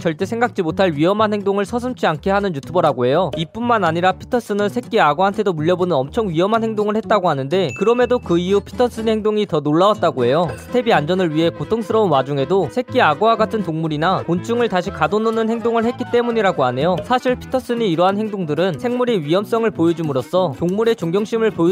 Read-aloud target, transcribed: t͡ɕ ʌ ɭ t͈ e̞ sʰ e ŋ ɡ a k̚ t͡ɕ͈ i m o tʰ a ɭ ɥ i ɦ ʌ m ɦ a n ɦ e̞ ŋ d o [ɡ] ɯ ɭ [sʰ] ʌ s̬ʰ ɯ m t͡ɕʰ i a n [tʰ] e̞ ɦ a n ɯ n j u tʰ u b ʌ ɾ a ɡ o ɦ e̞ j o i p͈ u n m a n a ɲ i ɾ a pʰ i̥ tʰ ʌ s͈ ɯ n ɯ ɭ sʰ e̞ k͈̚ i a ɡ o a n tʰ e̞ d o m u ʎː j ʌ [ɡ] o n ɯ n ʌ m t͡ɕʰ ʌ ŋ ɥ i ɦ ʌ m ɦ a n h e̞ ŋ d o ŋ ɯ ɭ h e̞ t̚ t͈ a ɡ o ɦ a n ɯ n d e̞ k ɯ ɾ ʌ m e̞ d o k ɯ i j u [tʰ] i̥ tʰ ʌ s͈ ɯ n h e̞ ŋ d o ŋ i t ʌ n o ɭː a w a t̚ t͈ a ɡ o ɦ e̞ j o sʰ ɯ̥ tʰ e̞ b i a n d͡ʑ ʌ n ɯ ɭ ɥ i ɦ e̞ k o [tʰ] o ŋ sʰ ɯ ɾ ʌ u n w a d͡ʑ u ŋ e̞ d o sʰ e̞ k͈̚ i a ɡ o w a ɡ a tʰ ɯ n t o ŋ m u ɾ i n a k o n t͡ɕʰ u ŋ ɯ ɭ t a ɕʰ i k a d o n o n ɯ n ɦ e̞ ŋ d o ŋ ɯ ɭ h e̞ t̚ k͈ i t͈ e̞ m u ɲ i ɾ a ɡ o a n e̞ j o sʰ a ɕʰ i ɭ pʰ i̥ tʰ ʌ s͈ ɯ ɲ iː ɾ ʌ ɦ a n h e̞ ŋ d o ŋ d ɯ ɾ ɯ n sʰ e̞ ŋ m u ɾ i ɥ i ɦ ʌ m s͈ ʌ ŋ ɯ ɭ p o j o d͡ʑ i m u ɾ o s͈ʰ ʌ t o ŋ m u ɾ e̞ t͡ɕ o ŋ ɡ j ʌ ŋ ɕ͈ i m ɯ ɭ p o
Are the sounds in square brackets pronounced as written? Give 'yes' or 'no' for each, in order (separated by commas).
no, yes, no, no, no, yes